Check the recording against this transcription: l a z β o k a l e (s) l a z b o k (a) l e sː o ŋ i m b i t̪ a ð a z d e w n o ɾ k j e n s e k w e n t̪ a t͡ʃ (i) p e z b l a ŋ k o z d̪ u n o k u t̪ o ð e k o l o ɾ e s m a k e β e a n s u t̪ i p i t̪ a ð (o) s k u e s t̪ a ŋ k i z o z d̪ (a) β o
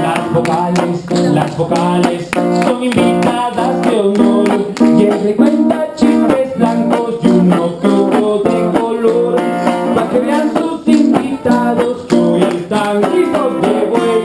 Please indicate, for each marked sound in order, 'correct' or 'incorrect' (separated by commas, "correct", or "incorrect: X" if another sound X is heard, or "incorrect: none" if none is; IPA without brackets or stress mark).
correct, correct, correct, correct, incorrect: e